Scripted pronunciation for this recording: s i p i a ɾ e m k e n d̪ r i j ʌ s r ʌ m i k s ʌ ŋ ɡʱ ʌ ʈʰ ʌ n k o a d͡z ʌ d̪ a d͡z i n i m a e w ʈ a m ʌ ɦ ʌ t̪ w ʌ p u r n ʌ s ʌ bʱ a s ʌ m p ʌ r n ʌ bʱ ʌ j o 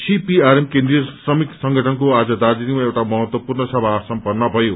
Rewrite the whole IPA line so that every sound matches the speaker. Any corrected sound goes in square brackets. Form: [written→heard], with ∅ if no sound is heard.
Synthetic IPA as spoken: s i p i a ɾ e m k e n d̪ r i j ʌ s r ʌ m i k s ʌ ŋ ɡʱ ʌ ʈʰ ʌ n k o a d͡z ʌ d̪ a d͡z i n i m a e w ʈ a m ʌ ɦ ʌ t̪ w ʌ p u r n ʌ s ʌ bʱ a s ʌ m p ʌ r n ʌ bʱ ʌ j o